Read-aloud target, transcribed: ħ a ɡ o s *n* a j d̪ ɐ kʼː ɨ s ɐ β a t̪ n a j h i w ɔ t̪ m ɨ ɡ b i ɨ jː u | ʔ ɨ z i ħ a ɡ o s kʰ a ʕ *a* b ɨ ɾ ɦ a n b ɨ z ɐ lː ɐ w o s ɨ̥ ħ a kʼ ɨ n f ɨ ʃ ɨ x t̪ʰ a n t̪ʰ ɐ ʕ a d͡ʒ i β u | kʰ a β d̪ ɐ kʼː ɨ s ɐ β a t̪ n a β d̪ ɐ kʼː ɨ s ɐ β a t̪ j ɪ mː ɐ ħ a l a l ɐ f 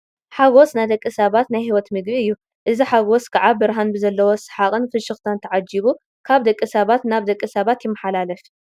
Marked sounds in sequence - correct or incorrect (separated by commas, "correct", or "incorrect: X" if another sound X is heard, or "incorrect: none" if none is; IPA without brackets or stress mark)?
correct, correct